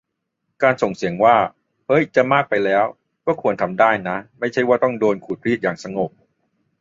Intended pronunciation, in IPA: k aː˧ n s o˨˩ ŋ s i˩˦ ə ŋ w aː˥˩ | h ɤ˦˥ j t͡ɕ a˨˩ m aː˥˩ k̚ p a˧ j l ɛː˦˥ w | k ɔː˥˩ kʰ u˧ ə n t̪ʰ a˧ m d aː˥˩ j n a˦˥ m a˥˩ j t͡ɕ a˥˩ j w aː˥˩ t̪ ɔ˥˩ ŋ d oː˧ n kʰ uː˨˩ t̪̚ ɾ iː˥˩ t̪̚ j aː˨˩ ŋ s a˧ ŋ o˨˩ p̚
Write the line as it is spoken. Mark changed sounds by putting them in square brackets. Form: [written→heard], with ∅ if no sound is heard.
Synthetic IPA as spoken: k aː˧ n s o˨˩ ŋ s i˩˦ ə ŋ w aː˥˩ | h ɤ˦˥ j t͡ɕ a˨˩ m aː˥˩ k̚ p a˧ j l ɛː˦˥ w | k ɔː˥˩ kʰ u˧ ə n t̪ʰ a˧ m d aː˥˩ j n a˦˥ m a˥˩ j [t͡ɕ→t͡ɕʰ] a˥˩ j w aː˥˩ t̪ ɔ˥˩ ŋ d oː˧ n kʰ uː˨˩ t̪̚ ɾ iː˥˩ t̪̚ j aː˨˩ ŋ s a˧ ŋ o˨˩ p̚